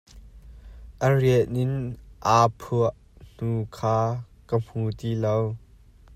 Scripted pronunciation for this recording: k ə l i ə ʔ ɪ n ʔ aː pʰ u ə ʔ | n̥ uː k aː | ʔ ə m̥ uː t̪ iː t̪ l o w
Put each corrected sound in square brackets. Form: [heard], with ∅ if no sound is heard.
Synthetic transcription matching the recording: [ʔ] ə [r] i ə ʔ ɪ n ʔ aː pʰ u ə ʔ | n̥ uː [kʰ] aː | [k] ə m̥ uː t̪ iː [∅] l o w